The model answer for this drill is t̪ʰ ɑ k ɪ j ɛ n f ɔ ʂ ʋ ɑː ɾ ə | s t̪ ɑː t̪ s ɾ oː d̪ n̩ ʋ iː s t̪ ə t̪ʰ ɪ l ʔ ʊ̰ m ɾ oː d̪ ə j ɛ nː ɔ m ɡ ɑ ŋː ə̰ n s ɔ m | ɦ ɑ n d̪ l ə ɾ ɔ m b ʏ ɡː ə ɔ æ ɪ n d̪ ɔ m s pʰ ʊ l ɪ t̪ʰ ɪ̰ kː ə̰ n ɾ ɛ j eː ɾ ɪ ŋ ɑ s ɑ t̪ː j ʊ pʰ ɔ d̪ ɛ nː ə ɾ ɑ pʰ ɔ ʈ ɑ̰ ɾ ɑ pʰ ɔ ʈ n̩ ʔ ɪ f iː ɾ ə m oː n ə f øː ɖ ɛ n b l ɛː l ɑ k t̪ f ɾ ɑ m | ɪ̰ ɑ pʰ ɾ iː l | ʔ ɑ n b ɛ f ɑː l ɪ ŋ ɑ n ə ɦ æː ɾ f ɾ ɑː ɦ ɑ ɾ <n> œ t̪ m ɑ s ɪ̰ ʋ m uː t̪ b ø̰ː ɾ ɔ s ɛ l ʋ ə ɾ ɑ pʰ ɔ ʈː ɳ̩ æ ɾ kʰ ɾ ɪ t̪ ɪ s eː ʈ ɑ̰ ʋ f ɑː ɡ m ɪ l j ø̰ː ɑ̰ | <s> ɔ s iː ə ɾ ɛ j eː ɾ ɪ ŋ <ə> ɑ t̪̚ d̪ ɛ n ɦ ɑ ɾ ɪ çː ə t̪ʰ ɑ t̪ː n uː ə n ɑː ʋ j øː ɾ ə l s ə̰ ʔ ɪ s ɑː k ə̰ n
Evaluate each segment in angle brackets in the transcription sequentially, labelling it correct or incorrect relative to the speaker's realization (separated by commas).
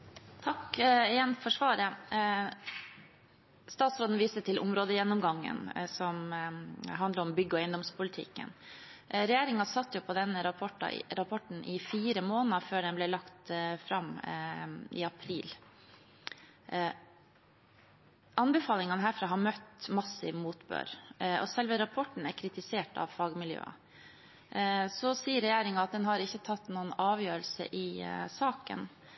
incorrect, correct, incorrect